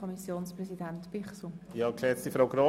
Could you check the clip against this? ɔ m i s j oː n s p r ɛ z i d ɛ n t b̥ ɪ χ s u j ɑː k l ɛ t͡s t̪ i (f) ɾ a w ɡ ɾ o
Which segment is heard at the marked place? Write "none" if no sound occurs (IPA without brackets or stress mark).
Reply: f